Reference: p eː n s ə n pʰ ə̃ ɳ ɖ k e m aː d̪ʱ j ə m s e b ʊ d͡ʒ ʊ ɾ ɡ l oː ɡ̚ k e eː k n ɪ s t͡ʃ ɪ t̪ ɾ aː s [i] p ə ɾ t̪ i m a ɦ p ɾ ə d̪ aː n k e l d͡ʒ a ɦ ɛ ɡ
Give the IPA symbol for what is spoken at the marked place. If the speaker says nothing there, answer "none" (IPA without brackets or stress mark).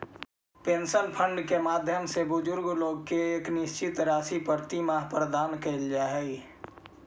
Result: i